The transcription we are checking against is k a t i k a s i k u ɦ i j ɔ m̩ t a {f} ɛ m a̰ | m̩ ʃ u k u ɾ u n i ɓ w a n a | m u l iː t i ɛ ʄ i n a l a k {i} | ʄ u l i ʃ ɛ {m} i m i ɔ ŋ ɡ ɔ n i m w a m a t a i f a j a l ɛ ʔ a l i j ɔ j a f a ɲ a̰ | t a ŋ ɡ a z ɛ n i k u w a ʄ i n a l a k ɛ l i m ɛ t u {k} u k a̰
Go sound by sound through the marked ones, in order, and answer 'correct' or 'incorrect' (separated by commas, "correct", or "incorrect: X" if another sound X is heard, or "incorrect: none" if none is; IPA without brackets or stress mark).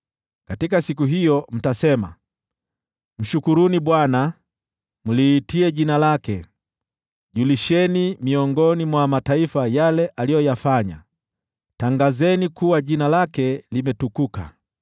incorrect: s, incorrect: ɛ, incorrect: n, correct